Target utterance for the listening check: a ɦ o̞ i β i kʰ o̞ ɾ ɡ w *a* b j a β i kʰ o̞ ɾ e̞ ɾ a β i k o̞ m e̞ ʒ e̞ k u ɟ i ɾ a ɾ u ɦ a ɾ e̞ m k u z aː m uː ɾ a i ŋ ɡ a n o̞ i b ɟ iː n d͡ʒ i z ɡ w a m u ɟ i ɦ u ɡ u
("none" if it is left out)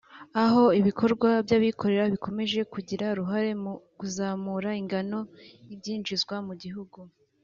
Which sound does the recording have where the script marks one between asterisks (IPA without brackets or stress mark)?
a